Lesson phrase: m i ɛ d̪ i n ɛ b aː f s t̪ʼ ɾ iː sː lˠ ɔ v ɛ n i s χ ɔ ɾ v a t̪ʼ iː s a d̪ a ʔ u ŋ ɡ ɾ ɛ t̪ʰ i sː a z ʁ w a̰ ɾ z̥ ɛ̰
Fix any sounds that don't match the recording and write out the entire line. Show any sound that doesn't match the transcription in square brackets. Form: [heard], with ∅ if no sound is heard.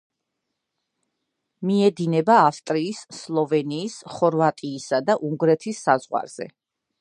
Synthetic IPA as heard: m i ɛ d̪ i n ɛ b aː f s t̪ʼ ɾ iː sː lˠ ɔ v ɛ n [iː] s χ ɔ ɾ v a t̪ʼ iː s a d̪ a ʔ u ŋ ɡ ɾ ɛ t̪ʰ i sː a z ʁ w a̰ ɾ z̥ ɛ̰

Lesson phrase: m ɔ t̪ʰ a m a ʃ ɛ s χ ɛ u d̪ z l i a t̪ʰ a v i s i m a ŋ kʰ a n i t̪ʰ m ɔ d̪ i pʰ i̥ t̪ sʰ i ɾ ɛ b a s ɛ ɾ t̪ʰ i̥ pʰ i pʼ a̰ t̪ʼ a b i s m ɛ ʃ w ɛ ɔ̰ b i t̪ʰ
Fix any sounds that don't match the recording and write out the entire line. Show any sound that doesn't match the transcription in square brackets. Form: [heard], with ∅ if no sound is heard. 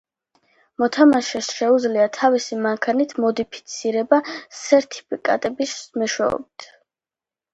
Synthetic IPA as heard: m ɔ t̪ʰ a m a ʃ ɛ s [ʃ] ɛ u d̪ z l i a t̪ʰ a v i s i m a ŋ kʰ a n i t̪ʰ m ɔ d̪ i pʰ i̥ t̪ sʰ i ɾ ɛ b a s ɛ ɾ t̪ʰ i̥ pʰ i [kʼ] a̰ t̪ʼ [ɛ] b i s m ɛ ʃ w ɛ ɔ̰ b i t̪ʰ

